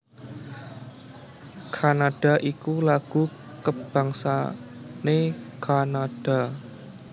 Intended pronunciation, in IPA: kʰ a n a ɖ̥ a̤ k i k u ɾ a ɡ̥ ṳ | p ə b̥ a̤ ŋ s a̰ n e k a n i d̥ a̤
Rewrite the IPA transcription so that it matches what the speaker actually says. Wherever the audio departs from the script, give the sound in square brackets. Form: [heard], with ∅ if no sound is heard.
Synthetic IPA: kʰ a n a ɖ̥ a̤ [ʔ] i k u [l] a ɡ̥ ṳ | [k] ə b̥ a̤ ŋ s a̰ n e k a n [a] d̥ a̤